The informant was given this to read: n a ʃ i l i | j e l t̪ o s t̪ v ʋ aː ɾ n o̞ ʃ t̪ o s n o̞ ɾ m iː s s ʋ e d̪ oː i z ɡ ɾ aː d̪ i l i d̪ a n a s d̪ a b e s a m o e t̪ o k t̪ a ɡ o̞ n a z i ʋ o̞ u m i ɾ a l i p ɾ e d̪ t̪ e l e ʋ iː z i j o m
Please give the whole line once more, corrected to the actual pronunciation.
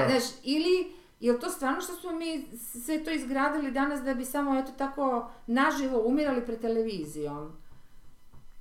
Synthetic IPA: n a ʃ i l i | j e l t̪ o s t̪ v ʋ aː ɾ n o̞ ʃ t̪ o s m o̞ m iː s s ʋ e t̪ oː i z ɡ ɾ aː d̪ i l i d̪ a n a s d̪ a b i s a m o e t̪ o t̪ a k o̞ n a ʒ i ʋ o̞ u m i ɾ a l i p ɾ e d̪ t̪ e l e ʋ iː z i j o m